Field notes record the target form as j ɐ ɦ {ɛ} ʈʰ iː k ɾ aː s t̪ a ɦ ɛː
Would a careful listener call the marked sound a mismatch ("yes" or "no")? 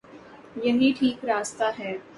yes